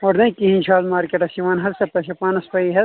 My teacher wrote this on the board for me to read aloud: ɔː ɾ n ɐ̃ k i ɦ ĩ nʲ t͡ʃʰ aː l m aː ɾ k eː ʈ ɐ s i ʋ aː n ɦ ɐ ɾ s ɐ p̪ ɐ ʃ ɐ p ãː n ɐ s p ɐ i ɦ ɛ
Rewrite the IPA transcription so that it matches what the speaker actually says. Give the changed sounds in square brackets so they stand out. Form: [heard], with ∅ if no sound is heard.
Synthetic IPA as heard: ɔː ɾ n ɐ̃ k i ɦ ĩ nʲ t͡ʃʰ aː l m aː ɾ k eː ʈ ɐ s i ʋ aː n ɦ ɐ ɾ s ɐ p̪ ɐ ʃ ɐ p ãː n ɐ s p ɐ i ɦ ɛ